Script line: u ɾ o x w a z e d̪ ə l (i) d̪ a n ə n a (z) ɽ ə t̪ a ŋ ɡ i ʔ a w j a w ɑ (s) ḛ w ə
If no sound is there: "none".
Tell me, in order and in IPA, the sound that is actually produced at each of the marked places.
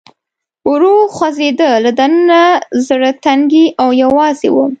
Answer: a, z, z

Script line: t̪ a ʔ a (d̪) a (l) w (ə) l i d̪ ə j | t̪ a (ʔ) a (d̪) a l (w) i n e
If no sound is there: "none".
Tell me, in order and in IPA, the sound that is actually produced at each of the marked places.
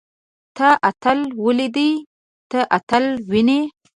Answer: t̪, l, ə, ʔ, t̪, w

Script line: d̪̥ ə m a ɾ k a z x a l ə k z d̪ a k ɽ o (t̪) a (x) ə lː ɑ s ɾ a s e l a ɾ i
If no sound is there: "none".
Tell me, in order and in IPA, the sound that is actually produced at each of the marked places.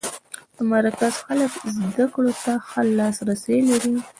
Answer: t̪, x

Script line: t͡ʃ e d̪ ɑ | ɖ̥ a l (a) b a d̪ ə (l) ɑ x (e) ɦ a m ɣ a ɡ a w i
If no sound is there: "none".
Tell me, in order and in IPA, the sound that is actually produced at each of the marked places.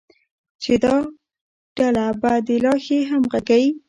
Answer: a, l, e

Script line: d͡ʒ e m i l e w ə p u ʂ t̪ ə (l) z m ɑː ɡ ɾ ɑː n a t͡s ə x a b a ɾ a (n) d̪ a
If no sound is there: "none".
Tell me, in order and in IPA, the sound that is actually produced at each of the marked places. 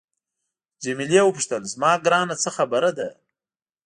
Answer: l, none

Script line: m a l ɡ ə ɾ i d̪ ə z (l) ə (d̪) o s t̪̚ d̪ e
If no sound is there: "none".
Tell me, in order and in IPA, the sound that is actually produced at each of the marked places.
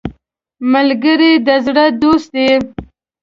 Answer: ɽ, d̪

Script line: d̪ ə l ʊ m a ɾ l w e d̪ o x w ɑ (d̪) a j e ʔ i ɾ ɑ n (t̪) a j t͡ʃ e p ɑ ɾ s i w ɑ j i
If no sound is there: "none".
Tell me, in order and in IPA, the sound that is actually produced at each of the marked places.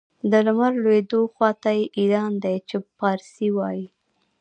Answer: t̪, d̪

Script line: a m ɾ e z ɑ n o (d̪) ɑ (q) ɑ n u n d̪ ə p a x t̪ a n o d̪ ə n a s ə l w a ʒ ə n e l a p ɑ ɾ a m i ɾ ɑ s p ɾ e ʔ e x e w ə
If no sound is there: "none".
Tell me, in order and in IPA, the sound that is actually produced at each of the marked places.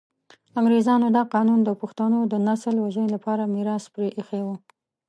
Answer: d̪, q

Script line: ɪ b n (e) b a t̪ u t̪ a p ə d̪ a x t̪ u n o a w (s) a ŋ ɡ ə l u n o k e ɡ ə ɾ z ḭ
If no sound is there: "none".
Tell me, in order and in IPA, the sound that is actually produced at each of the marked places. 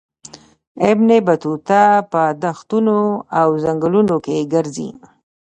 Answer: e, z

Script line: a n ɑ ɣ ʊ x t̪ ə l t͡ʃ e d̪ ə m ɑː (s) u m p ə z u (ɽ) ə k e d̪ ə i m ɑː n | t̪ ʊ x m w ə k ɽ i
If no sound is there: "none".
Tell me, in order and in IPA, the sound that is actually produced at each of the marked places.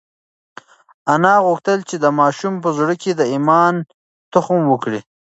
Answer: ʃ, ɽ

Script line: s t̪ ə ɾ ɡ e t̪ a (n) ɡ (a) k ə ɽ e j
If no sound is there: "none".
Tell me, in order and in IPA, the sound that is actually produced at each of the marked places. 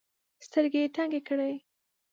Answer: ŋ, e

